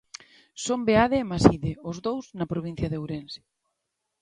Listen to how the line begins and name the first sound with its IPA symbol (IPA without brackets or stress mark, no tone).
s